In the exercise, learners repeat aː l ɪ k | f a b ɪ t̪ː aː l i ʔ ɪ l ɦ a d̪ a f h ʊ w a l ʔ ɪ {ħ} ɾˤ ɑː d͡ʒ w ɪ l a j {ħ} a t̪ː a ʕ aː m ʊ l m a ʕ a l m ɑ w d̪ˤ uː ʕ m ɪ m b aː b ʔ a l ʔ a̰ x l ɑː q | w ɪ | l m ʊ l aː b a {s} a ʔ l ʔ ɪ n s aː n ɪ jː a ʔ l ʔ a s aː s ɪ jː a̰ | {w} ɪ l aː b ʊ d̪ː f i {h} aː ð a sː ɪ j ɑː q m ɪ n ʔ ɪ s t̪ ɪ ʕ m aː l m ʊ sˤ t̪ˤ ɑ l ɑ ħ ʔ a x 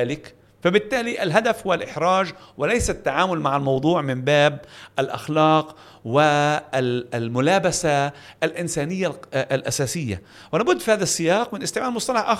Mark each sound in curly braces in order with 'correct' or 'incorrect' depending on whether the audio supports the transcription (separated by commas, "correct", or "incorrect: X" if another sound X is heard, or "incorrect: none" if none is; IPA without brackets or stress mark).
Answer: correct, incorrect: s, correct, correct, correct